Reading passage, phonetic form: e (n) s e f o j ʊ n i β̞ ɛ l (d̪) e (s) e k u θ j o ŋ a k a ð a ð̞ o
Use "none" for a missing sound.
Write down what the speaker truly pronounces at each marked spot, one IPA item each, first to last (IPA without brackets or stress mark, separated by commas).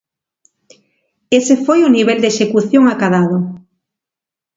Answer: none, d̪, ʃ